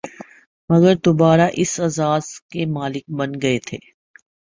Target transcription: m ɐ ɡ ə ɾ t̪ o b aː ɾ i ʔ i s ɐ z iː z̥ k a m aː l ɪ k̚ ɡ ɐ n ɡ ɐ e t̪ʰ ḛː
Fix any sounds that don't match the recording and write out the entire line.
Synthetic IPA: m ɐ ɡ ə ɾ d̪ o b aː ɾ a ʔ ɪ s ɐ z aː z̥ k e m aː l ɪ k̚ b ɐ n ɡ ɐ e t̪ʰ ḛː